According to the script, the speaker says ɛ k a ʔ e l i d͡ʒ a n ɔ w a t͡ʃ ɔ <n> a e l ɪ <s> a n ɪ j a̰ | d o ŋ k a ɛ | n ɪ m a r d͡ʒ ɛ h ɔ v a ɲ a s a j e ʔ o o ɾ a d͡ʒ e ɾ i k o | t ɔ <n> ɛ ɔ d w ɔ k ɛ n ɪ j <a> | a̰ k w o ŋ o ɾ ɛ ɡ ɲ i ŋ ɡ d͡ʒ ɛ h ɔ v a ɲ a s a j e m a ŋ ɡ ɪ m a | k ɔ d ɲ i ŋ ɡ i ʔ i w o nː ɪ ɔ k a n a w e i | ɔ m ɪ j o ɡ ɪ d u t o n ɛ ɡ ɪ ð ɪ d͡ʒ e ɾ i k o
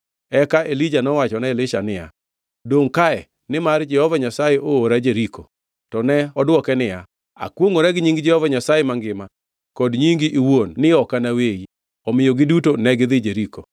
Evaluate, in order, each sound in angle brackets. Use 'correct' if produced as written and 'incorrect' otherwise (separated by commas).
correct, incorrect, correct, correct